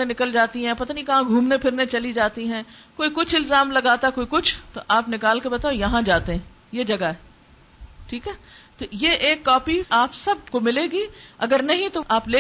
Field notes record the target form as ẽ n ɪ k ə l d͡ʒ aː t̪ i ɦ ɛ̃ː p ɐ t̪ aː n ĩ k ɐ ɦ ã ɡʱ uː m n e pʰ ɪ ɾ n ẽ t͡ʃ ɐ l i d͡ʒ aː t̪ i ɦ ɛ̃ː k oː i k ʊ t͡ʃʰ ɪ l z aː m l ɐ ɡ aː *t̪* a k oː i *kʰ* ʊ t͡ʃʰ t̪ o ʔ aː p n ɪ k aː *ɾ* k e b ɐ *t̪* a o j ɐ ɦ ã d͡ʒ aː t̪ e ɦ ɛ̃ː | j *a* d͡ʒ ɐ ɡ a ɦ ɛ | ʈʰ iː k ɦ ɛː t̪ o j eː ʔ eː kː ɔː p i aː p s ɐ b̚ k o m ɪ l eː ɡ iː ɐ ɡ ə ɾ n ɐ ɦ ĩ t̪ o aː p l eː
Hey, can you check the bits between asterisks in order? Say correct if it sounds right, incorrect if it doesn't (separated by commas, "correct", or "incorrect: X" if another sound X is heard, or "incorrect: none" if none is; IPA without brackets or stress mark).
correct, incorrect: k, incorrect: l, correct, incorrect: e